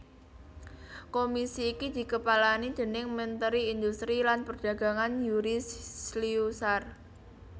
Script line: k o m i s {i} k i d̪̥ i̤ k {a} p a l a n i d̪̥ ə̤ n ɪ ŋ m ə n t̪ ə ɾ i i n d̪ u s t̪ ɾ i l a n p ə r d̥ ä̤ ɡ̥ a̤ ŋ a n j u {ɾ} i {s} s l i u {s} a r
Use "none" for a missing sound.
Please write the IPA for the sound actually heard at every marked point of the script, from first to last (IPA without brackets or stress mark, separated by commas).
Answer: iː, ə, ɾ, s, s